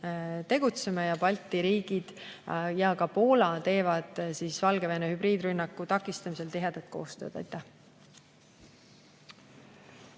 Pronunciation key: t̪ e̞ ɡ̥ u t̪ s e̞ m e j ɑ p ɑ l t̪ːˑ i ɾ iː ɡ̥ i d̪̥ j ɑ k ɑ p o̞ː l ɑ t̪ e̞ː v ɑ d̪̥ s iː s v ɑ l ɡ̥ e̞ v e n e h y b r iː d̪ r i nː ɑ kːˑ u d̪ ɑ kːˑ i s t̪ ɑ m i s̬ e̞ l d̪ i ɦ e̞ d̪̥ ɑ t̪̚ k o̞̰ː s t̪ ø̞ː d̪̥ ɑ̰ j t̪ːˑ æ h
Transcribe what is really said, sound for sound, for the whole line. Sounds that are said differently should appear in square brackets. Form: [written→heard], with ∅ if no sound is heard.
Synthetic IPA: t̪ e̞ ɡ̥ u t̪ s e̞ m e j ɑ p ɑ l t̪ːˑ i ɾ iː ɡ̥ i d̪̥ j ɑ k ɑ p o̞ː l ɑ t̪ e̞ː v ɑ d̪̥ s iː s v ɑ l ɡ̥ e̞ v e n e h y b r iː d̪ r [i→y] nː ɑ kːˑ u [d̪→t̪] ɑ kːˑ i s t̪ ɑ m i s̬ e̞ l [d̪→t̪] i ɦ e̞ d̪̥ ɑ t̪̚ k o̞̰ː s t̪ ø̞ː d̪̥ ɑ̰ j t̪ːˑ æ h